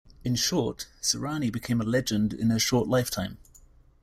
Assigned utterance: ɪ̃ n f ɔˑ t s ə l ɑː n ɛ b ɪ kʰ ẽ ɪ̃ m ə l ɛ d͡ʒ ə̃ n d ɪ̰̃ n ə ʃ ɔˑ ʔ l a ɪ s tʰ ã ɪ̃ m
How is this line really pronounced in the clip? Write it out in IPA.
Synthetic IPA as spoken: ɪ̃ n ʃ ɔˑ t s ə ɹ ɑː n i b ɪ kʰ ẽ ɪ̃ m ə l ɛ d͡ʒ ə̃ n d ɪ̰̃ n ə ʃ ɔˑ ʔ l a ɪ f tʰ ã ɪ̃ m